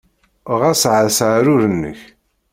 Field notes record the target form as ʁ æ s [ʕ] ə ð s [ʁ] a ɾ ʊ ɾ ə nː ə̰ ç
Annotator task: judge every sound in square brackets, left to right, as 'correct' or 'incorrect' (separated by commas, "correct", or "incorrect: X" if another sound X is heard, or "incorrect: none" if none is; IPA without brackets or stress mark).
correct, incorrect: ʕ